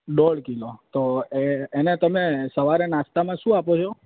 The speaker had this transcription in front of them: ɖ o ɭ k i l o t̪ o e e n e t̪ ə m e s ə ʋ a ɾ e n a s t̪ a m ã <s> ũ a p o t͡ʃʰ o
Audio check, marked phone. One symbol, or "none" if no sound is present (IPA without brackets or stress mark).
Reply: ʃ